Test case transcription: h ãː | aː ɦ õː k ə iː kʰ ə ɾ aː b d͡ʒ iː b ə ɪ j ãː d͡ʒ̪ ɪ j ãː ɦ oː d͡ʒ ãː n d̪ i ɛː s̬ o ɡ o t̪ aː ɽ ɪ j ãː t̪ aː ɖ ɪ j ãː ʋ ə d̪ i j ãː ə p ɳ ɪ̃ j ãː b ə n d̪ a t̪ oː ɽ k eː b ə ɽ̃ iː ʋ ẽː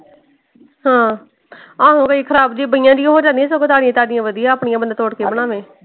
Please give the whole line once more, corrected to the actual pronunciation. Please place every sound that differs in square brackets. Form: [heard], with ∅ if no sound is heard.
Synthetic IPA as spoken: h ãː | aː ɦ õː k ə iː kʰ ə ɾ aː b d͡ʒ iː b ə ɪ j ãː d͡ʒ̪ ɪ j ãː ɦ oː d͡ʒ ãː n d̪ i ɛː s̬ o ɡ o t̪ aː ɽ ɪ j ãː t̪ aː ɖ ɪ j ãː ʋ ə d̪ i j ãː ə p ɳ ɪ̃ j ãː b ə n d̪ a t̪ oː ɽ k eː b ə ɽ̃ [aː] ʋ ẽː